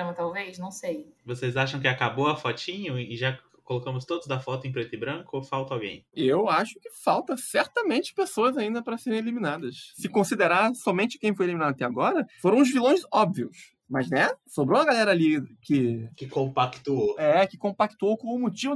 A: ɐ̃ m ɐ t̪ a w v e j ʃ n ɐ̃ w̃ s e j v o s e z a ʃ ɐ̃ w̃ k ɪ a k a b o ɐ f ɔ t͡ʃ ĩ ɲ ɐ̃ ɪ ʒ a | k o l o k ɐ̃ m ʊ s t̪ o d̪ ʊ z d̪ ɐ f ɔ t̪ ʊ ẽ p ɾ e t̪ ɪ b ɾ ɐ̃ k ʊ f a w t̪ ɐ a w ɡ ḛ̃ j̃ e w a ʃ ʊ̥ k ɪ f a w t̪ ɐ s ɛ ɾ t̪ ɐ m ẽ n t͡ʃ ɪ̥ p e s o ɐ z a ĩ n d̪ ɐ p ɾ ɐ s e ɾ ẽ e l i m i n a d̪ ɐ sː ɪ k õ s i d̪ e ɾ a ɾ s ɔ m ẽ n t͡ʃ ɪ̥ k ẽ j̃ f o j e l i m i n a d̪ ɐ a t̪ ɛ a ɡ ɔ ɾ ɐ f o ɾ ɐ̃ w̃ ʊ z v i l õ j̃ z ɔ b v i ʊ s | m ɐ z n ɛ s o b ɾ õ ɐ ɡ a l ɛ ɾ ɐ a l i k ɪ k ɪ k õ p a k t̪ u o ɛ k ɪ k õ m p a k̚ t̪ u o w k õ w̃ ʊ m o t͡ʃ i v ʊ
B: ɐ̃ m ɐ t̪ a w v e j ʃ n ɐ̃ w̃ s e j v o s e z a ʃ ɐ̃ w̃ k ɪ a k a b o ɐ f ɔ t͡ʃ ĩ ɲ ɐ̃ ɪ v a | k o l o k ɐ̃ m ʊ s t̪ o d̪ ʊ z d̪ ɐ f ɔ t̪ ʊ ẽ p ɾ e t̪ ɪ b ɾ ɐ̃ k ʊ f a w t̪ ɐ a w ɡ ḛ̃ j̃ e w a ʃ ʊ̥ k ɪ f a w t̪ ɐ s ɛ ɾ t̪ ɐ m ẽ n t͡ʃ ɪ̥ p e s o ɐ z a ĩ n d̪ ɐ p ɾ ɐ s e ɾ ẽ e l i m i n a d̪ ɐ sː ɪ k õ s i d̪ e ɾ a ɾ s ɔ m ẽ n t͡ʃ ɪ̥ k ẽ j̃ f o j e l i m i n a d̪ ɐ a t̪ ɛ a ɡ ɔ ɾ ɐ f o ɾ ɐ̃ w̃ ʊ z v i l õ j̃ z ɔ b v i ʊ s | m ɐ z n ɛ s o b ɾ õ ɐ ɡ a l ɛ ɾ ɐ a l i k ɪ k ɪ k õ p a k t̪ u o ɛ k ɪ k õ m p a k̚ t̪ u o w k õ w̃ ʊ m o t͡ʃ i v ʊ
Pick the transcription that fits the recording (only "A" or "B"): A